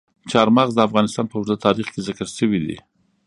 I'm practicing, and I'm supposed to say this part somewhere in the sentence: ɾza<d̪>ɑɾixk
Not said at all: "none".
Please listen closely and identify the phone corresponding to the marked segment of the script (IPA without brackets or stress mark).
t̪